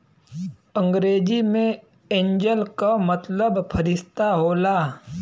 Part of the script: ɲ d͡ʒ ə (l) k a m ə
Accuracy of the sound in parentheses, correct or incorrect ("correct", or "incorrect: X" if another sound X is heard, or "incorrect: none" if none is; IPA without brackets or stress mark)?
correct